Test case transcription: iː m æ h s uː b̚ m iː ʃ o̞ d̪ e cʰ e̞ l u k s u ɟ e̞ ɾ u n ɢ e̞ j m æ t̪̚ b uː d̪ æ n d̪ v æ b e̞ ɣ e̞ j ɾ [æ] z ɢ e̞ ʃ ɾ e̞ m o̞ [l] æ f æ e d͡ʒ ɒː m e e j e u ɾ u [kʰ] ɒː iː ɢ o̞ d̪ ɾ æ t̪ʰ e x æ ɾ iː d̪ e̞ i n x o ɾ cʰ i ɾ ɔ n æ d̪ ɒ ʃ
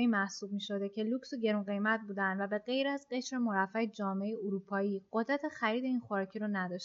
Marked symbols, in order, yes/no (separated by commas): yes, no, no